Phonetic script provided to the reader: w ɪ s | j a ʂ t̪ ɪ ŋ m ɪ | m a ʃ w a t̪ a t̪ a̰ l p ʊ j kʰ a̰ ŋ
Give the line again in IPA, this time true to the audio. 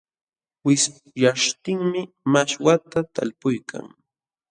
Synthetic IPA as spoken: w ɪ s | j a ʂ t̪ ɪ ŋ m ɪ | m a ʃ w a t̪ a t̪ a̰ l p ʊ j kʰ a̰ ŋ